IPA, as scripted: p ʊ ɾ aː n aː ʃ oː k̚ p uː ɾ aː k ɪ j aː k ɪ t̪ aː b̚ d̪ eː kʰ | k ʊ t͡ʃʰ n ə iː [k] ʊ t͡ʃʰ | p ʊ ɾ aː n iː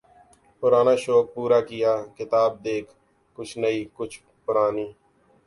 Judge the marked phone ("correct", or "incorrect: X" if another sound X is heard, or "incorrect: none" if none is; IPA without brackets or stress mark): correct